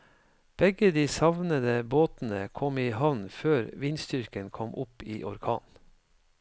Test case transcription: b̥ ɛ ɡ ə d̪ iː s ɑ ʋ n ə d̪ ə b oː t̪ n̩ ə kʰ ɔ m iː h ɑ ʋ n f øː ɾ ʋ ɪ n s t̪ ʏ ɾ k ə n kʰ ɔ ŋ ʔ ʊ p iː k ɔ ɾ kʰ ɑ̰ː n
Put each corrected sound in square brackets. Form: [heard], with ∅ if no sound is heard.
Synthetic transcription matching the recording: b̥ ɛ ɡ ə d̪ iː s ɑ ʋ n ə d̪ ə b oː t̪ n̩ ə kʰ ɔ m iː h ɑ ʋ n f øː ɾ ʋ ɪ n s t̪ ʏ ɾ k ə n kʰ ɔ [m] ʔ ʊ p iː [ʔ] ɔ ɾ kʰ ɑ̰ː n